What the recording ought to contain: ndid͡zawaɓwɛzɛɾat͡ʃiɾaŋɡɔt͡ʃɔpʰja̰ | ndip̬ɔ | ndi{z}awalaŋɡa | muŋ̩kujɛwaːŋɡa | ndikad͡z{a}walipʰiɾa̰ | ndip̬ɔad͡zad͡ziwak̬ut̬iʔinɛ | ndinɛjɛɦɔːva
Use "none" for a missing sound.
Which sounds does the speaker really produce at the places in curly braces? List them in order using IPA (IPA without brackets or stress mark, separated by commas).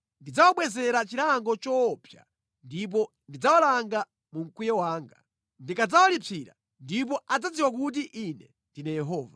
d͡z, a